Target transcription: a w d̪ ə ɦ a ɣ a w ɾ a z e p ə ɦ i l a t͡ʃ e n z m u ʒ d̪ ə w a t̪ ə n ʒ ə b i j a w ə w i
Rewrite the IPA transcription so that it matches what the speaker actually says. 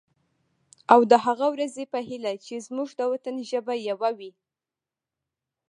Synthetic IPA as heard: a w d̪ ə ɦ a ɣ a w ɾ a z e p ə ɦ i l a t͡ʃ e z m u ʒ d̪ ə w a t̪ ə n ʒ ə b a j a w a w i